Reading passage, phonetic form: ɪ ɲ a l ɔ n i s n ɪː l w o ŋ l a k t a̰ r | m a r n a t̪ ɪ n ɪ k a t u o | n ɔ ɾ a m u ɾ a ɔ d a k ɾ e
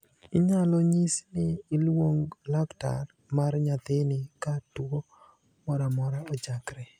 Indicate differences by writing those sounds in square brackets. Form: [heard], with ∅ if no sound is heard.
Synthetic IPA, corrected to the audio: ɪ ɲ a l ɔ [ɲ] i s n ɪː l w o ŋ l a k t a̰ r | m a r [ɲ] a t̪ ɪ n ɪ k a t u o | [m] ɔ ɾ a m [ɔ] ɾ a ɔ [d͡ʒ] a k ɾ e